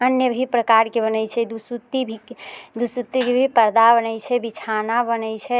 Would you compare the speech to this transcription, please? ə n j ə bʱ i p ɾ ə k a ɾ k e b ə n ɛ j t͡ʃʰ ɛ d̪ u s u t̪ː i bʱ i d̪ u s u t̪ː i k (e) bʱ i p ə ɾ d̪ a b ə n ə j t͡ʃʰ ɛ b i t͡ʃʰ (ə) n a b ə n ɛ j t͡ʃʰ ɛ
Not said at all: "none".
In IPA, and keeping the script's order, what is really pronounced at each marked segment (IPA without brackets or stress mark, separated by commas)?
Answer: e, a